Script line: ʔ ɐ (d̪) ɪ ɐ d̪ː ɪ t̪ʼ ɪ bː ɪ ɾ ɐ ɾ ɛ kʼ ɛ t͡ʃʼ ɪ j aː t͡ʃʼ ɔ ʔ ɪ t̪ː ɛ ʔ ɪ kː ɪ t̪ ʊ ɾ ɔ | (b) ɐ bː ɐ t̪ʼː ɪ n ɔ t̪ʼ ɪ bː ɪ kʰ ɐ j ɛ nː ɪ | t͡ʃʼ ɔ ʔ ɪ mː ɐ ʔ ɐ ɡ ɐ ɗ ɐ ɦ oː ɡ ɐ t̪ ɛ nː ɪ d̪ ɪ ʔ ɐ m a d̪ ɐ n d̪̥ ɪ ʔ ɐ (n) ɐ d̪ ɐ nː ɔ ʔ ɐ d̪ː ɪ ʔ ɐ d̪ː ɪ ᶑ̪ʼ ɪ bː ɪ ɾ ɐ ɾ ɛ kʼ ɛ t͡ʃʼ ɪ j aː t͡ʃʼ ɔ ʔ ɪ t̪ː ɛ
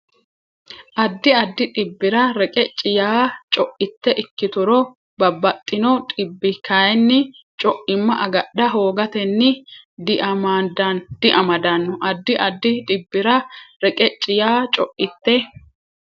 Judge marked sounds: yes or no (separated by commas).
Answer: no, yes, no